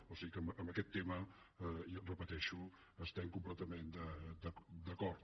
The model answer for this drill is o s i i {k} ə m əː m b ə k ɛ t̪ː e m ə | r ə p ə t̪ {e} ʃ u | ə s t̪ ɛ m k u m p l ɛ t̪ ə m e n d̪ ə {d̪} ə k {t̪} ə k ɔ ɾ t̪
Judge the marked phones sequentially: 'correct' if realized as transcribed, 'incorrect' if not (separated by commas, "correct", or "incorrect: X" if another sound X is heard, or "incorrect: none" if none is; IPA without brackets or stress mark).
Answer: correct, incorrect: ɛ, correct, incorrect: d̪